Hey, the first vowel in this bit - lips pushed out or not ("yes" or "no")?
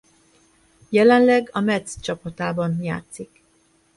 no